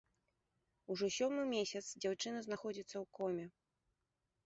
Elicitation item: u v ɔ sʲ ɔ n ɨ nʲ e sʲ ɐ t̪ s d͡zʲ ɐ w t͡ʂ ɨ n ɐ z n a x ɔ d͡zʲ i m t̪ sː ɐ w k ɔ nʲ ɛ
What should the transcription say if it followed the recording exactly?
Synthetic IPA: u ʐ ɔ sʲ ɔ m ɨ mʲ e sʲ ɐ t̪ s d͡zʲ a w t͡ʂ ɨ n ɐ z n a x ɔ d͡zʲ i t̪ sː ɐ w k ɔ mʲ ɛ